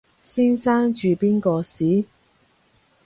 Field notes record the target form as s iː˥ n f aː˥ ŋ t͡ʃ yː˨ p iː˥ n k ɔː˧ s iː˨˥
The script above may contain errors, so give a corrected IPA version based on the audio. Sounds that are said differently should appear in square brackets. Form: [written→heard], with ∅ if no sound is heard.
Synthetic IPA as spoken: s iː˥ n [f→s] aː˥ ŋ t͡ʃ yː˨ p iː˥ n k ɔː˧ s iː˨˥